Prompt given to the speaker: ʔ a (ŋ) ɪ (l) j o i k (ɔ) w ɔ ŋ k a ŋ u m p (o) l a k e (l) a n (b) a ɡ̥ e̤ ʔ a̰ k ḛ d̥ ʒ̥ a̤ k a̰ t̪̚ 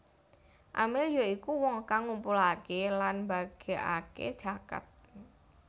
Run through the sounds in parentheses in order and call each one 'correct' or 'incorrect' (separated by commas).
incorrect, correct, incorrect, incorrect, correct, correct